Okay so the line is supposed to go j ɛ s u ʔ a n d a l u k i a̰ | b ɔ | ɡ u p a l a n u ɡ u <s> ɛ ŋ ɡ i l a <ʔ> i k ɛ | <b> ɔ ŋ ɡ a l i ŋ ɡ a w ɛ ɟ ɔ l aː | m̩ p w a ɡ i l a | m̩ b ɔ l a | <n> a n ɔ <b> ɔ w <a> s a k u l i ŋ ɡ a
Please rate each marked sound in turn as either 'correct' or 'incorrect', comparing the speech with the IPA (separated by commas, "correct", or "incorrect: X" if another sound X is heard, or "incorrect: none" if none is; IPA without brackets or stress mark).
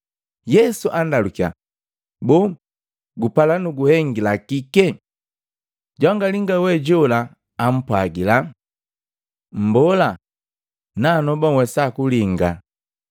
incorrect: h, incorrect: k, incorrect: ɟ, correct, correct, incorrect: ɛ